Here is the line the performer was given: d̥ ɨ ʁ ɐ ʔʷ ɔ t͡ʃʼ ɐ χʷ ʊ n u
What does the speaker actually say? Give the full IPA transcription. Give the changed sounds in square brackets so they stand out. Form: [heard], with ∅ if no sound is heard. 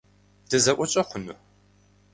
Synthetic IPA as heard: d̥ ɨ [z] ɐ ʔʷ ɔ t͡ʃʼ ɐ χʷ ʊ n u